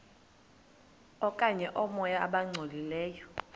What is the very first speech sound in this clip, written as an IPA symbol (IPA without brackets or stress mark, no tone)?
ɔ